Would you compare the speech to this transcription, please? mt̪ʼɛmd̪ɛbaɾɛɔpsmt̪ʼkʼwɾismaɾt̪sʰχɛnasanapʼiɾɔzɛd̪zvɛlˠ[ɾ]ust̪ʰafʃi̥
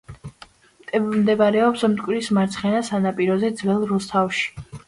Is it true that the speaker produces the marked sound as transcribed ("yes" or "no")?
yes